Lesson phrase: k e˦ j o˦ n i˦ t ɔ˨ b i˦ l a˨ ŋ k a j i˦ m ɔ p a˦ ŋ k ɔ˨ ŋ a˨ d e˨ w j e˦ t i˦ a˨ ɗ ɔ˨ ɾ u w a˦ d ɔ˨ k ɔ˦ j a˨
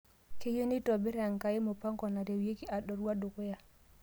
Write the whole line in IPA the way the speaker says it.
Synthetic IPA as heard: k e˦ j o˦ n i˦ t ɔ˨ b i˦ ɾ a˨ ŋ k a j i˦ m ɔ p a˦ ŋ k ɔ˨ n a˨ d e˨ w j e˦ k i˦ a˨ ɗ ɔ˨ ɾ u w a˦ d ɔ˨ k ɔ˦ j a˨